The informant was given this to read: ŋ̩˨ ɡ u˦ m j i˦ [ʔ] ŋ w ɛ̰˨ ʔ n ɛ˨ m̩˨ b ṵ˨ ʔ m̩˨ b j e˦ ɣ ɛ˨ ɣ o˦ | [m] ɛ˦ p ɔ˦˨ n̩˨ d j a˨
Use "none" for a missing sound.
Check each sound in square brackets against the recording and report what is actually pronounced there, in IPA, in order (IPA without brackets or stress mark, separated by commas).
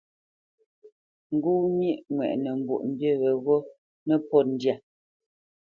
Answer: ʔ, n